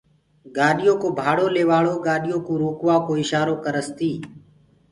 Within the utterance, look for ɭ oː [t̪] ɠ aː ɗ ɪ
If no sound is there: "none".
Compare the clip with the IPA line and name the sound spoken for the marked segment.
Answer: none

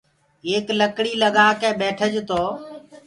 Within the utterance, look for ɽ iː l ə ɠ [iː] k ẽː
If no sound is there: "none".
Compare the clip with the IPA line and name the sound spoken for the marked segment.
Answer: aː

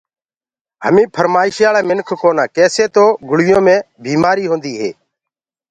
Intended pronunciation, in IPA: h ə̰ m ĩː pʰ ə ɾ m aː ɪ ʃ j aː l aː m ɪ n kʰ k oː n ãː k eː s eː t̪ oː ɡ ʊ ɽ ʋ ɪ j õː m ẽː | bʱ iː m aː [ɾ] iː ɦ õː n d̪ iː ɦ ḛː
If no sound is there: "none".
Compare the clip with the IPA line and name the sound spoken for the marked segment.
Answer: ɾ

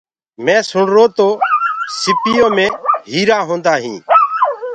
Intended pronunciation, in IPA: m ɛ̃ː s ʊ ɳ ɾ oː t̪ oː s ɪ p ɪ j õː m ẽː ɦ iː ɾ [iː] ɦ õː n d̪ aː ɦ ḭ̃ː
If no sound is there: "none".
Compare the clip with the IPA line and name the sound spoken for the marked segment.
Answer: aː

